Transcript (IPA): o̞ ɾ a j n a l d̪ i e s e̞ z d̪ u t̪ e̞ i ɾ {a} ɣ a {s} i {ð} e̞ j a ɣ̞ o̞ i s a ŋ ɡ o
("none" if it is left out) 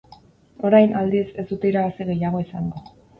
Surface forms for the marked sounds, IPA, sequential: a, s, ɣ

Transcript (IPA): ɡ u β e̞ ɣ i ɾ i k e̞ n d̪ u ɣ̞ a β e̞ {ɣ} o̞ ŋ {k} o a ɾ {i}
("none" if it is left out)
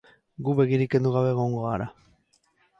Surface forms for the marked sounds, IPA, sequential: ɣ, ɡ, a

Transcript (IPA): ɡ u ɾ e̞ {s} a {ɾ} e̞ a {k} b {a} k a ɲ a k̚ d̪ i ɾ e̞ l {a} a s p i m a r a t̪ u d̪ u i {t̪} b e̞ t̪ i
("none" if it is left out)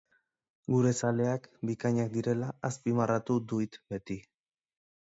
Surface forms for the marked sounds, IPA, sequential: s, l, k, i, a, t̪

